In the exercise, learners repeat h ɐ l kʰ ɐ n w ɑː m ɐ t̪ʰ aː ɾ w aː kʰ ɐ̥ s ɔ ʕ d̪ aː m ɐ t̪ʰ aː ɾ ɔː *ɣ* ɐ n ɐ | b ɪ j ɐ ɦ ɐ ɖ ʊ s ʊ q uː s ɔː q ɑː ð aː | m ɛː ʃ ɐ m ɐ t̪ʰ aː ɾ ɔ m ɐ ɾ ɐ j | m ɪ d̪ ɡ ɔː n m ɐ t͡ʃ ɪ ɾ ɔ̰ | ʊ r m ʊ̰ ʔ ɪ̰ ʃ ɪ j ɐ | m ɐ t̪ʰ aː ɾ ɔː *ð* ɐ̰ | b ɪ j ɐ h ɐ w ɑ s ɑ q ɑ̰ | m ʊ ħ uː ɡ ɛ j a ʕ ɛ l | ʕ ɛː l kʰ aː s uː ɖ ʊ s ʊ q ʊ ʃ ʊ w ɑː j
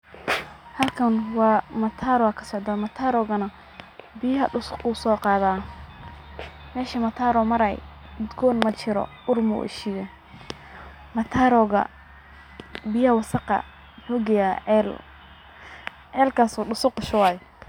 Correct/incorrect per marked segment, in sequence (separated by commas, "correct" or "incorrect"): correct, incorrect